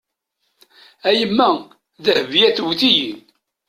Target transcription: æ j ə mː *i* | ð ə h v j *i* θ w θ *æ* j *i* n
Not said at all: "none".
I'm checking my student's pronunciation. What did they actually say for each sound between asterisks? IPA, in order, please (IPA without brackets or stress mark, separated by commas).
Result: æ, æ, i, i